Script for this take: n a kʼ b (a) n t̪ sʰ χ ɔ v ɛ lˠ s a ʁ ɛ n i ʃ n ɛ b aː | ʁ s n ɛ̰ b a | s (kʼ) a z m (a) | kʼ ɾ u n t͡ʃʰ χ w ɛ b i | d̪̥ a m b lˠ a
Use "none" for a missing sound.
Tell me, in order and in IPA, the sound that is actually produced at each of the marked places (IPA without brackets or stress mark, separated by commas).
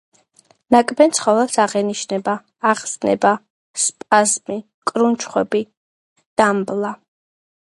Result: ɛ, pʼ, i